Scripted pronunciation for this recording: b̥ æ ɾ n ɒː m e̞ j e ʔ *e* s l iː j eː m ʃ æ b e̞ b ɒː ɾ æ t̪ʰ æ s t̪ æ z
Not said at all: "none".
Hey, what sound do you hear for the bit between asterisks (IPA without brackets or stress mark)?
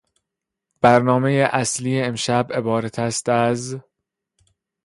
æ